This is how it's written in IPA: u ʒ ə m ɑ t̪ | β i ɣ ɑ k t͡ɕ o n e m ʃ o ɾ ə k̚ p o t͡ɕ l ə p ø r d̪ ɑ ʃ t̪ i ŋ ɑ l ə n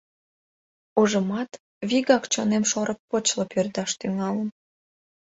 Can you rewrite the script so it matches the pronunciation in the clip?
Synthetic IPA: u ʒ ə m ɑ t̪ | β i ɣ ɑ k t͡ɕ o n e m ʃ o ɾ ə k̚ p o t͡ɕ l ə p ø r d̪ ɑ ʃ t̪ y ŋ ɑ l ə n